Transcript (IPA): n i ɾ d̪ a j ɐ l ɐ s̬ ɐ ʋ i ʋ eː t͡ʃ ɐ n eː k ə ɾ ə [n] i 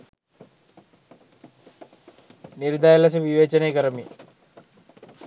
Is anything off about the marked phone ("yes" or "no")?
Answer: yes